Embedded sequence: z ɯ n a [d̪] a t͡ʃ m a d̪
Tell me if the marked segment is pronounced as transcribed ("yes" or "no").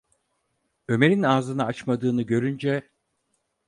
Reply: no